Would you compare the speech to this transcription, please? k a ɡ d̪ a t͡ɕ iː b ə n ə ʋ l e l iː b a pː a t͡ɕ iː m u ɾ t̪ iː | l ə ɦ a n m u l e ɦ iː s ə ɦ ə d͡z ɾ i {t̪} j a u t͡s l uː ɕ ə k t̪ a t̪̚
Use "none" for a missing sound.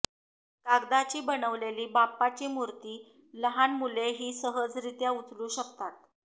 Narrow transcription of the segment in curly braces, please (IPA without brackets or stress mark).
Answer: t̪